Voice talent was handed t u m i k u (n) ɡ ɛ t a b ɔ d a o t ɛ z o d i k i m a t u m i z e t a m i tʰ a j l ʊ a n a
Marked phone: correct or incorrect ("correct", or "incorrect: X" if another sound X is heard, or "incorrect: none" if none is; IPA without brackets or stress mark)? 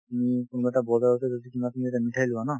correct